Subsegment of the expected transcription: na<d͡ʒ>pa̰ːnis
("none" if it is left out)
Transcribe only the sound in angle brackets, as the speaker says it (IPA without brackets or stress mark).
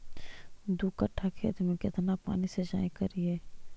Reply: none